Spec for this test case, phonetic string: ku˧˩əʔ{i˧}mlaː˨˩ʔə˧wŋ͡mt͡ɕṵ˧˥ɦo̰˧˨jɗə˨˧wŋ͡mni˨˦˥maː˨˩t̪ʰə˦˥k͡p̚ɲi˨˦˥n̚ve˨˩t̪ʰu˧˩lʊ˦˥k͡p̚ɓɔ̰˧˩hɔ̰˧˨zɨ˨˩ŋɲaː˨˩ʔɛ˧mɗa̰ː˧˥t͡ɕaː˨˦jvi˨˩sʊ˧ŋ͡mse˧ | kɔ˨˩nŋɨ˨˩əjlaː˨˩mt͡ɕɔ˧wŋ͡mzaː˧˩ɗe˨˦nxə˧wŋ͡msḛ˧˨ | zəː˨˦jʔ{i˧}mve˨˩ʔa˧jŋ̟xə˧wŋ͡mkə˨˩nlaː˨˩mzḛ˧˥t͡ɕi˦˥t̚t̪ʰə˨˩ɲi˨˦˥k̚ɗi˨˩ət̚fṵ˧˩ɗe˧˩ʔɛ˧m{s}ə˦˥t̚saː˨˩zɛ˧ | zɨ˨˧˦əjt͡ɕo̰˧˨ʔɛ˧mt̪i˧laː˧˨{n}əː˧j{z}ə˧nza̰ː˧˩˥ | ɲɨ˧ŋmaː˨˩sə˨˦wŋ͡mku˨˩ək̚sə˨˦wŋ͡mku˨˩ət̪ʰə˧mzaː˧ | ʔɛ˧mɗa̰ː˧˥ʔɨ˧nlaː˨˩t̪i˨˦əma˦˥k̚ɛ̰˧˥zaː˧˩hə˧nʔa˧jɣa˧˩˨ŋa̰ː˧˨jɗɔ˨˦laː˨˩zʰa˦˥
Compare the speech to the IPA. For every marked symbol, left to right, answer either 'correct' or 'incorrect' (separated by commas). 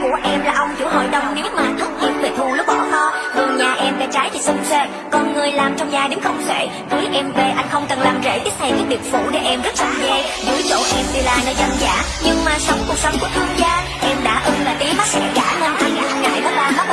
incorrect, incorrect, incorrect, correct, correct